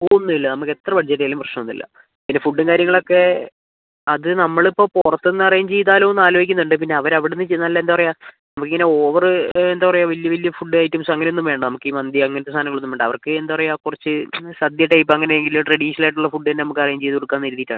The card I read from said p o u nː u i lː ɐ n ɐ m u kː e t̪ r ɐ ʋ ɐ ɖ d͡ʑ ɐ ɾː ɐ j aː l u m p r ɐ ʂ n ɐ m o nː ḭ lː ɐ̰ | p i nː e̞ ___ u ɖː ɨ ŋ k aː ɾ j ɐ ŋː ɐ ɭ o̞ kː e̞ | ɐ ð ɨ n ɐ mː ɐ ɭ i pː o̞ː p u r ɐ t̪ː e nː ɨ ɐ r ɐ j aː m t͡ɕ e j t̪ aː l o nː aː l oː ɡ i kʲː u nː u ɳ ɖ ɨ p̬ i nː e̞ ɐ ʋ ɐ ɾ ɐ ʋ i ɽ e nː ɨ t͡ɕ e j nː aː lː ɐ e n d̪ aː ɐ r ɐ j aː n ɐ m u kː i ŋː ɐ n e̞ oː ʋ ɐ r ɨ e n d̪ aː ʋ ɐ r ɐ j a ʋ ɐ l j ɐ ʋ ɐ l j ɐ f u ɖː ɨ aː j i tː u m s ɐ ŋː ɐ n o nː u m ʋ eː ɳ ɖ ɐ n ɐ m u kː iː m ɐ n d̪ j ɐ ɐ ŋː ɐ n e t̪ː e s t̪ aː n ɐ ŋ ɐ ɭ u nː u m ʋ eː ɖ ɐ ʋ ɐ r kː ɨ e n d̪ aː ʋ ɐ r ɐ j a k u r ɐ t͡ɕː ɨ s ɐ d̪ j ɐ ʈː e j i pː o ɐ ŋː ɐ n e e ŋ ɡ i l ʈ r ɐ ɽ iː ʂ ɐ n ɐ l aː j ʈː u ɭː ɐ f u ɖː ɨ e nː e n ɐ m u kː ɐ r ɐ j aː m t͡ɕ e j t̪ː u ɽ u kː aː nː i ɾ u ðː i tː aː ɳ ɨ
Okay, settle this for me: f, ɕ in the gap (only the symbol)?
f